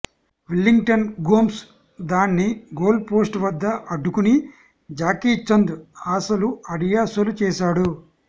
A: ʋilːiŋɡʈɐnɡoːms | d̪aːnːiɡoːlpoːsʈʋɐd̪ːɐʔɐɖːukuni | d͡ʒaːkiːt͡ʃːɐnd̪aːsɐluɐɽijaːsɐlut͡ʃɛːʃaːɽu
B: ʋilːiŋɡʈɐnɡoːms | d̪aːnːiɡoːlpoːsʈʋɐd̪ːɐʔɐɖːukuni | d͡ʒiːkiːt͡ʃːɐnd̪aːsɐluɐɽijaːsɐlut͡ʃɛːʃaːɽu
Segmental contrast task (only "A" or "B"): A